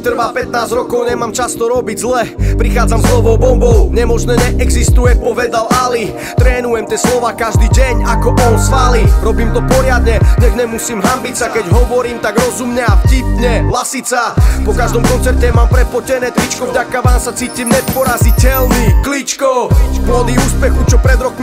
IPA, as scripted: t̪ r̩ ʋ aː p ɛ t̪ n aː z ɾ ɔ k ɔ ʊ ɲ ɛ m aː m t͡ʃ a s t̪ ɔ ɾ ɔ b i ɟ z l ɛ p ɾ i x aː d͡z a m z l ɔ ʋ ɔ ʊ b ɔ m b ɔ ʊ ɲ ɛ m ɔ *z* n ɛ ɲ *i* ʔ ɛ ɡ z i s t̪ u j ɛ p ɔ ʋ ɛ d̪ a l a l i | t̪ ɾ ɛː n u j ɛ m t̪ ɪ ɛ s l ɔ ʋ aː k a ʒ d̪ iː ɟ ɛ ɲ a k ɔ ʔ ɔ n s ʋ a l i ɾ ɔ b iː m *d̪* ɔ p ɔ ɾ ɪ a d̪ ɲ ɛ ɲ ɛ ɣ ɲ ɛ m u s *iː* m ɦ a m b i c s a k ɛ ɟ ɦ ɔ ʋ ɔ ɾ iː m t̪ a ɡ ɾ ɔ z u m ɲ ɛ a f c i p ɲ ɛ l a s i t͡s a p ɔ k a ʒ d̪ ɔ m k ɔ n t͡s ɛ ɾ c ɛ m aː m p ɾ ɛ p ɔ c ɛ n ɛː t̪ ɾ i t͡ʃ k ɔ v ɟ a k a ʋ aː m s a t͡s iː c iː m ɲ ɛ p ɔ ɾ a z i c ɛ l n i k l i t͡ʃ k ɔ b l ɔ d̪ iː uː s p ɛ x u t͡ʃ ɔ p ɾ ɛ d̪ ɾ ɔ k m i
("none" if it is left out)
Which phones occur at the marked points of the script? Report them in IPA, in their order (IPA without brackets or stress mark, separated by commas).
ʒ, ɛ, t̪, iː